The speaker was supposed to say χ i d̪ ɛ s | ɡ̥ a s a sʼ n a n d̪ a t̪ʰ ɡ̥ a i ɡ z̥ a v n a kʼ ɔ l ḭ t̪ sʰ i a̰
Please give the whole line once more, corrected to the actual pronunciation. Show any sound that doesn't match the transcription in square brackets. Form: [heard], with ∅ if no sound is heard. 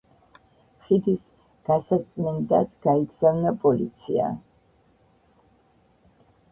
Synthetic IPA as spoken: χ i d̪ [i] s | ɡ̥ a s a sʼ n [ɛ] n d̪ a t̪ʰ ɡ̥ a i ɡ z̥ a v n a [pʼ] ɔ l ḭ t̪ sʰ i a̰